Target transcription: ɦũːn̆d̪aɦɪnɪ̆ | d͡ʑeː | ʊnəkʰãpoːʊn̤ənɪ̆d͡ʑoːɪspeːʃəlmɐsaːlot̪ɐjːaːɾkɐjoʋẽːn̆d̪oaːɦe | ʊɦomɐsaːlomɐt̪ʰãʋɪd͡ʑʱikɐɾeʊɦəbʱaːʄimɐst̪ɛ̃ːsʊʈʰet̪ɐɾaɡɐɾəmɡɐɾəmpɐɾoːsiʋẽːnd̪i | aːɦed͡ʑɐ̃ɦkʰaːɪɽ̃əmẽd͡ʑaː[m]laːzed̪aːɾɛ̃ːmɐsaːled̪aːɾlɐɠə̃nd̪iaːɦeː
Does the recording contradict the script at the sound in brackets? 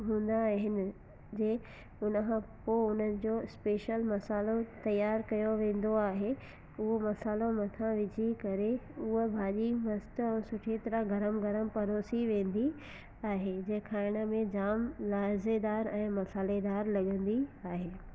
no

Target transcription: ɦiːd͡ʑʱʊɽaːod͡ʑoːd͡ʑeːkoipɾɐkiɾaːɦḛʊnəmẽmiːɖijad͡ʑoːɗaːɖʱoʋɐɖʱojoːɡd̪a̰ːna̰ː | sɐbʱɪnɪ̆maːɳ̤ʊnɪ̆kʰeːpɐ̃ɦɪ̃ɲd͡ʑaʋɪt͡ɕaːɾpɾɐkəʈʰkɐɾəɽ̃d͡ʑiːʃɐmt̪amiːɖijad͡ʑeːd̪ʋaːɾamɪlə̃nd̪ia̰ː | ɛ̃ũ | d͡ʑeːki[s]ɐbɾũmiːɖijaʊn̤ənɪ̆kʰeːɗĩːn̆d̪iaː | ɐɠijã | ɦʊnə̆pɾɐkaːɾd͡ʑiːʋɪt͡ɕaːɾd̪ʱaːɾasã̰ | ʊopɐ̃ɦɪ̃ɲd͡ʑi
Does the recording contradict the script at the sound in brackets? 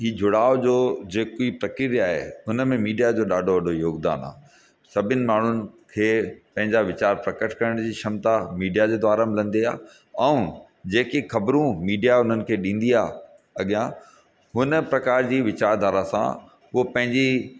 yes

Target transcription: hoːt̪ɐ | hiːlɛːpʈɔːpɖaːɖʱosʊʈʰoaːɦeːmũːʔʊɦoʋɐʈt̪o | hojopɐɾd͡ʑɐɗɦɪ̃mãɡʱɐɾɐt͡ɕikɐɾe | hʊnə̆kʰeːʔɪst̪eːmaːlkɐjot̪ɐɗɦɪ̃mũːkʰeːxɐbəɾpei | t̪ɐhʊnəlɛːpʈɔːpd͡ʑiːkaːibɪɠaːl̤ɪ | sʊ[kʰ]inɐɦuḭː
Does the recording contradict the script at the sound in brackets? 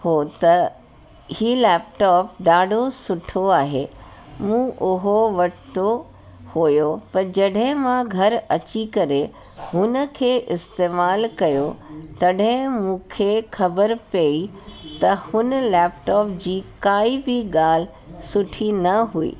yes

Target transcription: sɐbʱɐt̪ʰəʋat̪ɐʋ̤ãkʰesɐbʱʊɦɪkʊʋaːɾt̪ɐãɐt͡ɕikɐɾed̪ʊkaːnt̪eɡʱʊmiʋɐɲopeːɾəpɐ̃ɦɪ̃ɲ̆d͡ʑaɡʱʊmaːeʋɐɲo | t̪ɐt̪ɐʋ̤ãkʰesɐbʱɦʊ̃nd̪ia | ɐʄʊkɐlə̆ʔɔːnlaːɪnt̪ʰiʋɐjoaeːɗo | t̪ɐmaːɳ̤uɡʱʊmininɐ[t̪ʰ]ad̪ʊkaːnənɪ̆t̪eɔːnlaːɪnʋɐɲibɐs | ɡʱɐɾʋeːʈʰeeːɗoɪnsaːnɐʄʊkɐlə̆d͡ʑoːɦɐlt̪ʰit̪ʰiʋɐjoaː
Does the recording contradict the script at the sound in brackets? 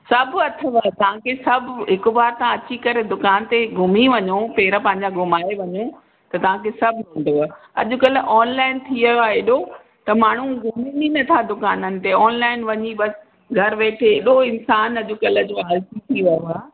no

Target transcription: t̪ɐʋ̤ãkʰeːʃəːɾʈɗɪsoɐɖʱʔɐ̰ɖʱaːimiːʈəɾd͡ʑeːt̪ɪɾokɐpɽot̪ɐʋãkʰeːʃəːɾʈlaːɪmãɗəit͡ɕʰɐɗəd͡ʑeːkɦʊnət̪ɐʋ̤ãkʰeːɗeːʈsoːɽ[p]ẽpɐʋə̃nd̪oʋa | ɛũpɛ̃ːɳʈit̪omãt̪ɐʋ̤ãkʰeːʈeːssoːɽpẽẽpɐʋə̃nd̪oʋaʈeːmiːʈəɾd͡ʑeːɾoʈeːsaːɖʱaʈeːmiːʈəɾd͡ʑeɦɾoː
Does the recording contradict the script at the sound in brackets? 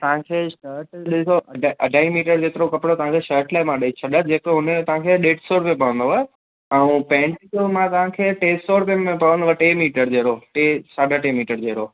no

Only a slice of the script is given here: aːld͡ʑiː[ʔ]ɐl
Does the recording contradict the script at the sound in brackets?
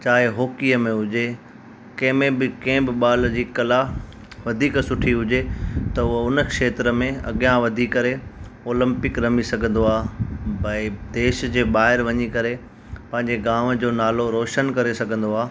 yes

